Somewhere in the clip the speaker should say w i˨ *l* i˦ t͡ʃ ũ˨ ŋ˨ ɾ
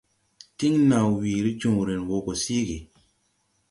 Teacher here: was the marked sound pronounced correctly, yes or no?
no